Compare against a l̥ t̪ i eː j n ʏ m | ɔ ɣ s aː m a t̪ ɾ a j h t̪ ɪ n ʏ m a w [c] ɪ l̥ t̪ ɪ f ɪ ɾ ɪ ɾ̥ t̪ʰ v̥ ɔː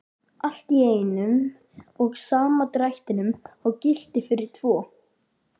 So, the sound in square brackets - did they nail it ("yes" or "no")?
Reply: yes